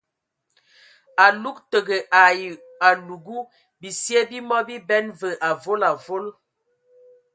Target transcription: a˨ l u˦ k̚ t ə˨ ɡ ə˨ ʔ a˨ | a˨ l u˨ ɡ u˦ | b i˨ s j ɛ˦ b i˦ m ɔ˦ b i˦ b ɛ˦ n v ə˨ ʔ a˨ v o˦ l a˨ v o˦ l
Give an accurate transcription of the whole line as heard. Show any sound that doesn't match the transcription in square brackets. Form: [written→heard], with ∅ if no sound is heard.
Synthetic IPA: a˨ l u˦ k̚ t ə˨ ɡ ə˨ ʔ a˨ | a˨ l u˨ ɡ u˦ | b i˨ s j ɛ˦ b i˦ m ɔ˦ b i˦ b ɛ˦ n v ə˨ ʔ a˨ v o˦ l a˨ v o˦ l